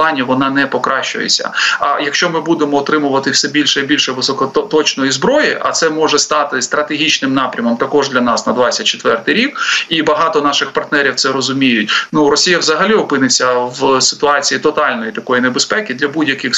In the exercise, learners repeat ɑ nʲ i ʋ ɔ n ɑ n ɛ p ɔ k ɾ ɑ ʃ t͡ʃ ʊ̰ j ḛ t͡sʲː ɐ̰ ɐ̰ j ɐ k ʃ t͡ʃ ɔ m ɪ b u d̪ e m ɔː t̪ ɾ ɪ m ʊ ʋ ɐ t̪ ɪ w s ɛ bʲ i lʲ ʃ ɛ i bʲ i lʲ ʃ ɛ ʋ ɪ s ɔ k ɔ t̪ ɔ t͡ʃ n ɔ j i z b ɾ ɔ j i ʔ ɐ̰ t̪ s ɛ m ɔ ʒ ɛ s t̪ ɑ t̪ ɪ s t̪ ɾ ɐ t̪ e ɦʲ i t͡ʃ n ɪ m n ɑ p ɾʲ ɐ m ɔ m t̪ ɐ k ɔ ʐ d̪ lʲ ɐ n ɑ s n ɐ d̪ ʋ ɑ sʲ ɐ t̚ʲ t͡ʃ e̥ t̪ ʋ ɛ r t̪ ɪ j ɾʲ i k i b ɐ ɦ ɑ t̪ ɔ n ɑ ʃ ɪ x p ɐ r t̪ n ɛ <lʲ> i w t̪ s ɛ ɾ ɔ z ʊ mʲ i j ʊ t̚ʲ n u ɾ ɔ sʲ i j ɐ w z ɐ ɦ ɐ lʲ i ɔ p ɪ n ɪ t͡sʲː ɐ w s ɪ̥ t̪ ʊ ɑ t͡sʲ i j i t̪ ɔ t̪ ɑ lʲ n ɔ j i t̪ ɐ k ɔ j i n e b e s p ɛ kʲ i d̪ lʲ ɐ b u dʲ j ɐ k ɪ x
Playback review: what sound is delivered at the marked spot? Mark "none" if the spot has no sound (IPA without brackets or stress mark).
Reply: ɾʲ